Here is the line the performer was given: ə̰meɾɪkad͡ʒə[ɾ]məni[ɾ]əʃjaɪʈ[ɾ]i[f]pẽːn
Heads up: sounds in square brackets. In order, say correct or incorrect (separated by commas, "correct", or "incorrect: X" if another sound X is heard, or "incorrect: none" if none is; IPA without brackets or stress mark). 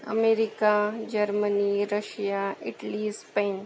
correct, correct, incorrect: l, incorrect: s